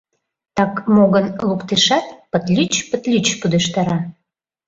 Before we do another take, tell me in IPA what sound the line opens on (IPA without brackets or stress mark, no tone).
t̪